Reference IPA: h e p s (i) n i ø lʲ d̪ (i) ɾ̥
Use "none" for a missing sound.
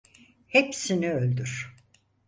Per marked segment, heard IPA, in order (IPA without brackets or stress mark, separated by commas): i, y